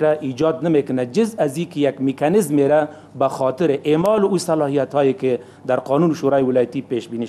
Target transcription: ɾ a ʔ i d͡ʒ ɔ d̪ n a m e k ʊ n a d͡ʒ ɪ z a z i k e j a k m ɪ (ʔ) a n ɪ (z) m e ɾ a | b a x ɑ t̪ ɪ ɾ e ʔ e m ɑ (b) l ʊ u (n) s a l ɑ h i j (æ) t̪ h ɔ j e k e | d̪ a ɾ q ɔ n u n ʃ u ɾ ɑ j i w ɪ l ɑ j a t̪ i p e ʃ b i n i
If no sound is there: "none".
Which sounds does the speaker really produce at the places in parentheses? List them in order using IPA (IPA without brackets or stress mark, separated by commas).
k, z, none, none, a